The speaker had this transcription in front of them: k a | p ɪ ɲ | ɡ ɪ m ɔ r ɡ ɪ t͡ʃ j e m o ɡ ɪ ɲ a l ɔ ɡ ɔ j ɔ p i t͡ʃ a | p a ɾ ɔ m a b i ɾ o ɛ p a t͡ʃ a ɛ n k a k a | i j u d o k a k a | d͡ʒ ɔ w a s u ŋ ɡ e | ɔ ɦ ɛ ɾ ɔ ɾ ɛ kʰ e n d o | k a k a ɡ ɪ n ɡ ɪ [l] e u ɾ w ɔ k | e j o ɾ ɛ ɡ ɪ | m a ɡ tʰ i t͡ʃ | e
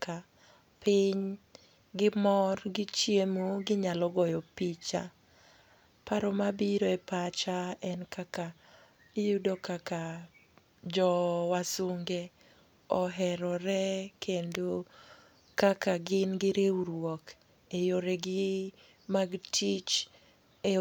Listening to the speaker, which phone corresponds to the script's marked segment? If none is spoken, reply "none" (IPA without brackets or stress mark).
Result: ɾ